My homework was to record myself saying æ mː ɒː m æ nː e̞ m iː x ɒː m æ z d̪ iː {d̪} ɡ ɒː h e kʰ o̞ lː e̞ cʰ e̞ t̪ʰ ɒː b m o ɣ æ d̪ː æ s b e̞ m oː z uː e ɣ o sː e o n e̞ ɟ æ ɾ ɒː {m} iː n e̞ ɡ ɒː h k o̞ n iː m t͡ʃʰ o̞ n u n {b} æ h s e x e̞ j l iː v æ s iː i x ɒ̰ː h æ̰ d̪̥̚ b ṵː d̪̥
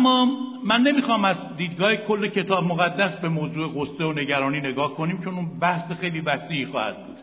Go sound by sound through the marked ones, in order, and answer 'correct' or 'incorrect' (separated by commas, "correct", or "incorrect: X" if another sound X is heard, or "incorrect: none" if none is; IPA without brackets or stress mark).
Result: correct, incorrect: n, correct